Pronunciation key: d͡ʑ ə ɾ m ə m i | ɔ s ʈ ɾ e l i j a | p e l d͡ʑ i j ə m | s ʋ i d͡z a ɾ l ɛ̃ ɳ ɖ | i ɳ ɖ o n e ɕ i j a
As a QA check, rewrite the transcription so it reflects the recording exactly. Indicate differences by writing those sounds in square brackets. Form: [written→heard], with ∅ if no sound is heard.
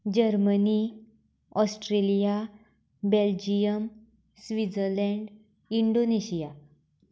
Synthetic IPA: d͡ʑ ə ɾ m ə [m→n] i | ɔ s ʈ ɾ e l i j a | [p→b] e l d͡ʑ i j ə m | s ʋ i d͡z [a→ə] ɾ l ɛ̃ ɳ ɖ | i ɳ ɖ o n e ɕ i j a